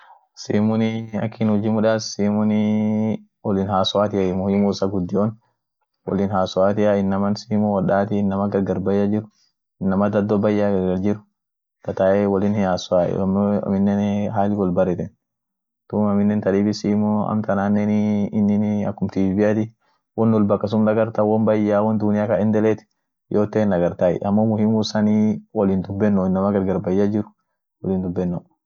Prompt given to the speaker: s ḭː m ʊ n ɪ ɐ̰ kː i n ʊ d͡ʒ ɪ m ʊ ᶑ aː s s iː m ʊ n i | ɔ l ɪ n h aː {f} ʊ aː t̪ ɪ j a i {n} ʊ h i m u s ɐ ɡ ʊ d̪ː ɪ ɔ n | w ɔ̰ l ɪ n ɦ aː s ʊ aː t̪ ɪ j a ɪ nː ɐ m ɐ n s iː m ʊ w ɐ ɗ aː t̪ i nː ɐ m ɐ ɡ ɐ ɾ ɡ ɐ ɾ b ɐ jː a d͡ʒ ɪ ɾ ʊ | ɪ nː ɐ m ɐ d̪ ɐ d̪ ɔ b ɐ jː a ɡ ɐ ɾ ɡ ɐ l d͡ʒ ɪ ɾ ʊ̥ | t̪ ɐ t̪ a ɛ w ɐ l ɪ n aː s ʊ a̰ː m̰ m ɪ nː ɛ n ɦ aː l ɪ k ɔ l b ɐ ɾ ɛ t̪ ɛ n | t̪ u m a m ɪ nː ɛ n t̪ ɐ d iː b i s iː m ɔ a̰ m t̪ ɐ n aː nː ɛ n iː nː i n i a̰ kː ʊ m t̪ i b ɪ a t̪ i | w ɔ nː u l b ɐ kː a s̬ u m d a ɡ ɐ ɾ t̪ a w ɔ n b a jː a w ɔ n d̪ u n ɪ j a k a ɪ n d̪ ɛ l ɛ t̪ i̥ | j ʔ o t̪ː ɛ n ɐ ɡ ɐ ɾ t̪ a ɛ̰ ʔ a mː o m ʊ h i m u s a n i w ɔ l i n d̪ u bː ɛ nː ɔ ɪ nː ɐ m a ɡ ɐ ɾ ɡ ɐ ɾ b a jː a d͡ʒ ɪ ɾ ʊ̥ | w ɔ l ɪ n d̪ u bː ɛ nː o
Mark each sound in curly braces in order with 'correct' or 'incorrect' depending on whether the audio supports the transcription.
incorrect, incorrect

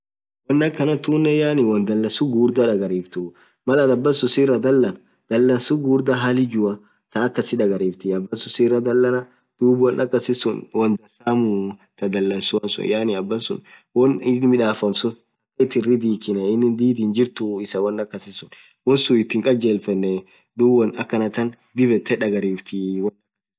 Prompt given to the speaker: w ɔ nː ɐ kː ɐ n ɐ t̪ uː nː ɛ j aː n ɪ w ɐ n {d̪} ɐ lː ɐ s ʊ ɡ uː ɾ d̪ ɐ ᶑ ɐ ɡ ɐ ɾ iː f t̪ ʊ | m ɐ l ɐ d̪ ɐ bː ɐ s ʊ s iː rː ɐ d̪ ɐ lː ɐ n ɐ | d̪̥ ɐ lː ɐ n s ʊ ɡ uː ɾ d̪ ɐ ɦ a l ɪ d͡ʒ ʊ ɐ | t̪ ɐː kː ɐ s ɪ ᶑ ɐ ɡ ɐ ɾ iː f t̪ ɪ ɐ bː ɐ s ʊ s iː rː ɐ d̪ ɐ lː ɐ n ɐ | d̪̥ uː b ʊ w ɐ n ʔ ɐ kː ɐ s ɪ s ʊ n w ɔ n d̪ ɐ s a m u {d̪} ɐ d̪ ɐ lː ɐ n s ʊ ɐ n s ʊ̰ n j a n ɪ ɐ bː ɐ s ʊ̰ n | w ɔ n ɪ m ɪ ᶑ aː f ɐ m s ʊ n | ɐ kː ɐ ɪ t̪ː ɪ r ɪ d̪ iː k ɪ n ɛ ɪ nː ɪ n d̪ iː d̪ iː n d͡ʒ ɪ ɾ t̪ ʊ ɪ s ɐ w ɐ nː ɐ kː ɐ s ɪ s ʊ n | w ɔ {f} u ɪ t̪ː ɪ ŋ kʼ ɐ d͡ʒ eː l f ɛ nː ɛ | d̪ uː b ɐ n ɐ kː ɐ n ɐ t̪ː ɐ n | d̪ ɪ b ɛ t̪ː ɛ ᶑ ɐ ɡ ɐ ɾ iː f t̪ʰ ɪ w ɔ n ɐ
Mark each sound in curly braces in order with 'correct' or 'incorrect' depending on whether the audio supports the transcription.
correct, incorrect, incorrect

